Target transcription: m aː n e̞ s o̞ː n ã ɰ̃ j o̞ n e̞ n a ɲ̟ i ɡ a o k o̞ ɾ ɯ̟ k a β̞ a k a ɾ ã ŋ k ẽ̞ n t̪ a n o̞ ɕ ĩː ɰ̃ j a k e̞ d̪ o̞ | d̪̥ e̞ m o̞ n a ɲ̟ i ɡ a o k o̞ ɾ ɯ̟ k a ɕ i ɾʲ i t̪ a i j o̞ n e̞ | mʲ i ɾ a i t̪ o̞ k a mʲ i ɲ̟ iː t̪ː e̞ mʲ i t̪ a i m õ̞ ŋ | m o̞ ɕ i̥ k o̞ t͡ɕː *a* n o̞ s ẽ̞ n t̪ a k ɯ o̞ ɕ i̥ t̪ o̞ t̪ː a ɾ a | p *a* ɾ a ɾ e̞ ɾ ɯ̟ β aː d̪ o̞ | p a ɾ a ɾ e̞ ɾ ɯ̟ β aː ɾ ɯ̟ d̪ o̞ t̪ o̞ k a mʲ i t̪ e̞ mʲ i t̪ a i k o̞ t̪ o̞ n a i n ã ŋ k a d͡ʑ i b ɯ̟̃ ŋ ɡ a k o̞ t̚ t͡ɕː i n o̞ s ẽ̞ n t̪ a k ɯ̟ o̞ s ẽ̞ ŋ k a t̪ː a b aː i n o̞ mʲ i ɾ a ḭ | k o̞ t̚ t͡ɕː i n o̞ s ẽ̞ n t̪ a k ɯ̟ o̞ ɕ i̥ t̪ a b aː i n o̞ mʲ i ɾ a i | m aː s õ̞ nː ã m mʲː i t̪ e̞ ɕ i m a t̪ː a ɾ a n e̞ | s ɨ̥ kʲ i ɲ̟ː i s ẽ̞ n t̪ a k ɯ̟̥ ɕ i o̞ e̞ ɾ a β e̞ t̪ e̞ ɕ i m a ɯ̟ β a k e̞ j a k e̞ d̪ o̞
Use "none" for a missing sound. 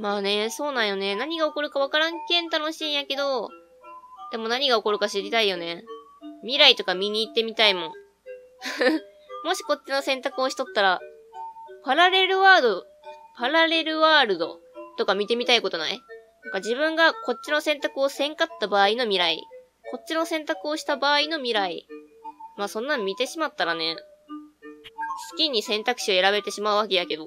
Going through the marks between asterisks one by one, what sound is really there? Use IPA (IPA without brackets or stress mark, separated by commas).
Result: i, a